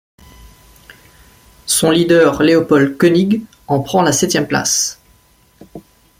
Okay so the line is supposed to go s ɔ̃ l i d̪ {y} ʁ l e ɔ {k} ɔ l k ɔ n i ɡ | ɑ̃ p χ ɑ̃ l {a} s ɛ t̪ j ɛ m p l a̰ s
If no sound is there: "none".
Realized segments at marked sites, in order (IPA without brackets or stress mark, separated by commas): œ, p, a